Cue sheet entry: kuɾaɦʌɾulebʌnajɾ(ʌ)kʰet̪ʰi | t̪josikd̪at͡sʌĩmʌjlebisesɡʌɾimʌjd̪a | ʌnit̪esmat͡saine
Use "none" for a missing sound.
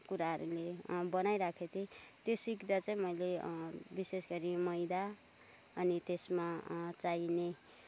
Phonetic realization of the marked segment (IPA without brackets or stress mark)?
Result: a